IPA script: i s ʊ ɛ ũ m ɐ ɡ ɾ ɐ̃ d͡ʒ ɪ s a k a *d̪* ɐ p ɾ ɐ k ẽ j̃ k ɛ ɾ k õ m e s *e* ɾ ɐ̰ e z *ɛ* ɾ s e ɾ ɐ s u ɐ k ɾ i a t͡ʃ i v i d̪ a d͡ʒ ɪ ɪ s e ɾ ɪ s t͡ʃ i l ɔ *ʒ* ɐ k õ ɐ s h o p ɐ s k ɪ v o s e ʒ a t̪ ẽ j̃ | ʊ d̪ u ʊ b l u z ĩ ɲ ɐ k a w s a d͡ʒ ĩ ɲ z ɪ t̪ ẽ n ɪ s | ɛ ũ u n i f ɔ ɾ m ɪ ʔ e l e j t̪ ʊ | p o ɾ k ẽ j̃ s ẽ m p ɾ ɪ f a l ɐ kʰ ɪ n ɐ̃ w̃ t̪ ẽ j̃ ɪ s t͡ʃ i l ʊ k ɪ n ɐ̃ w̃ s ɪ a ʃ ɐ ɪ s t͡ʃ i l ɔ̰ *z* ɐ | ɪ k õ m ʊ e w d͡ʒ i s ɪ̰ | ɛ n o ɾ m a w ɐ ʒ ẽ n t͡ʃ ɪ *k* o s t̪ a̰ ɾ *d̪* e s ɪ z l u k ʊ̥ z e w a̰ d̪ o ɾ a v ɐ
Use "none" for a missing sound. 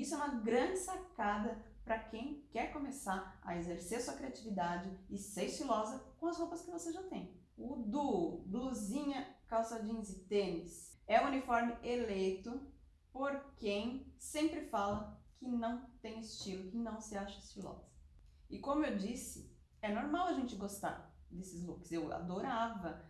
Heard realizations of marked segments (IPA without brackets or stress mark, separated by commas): d̪, a, e, z, z, ɡ, d̪